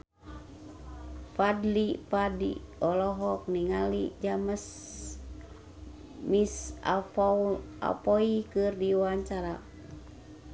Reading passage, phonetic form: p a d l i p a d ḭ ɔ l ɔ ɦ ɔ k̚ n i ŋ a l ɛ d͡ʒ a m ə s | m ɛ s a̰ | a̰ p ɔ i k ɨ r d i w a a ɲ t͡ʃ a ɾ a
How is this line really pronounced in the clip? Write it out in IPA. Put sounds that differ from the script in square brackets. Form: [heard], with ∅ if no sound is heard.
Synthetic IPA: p a d l i p a d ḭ ɔ l ɔ ɦ ɔ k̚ n i ŋ a l [i] d͡ʒ a m ə s | m [i] s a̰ | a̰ p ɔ i k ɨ r d i w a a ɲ t͡ʃ a ɾ a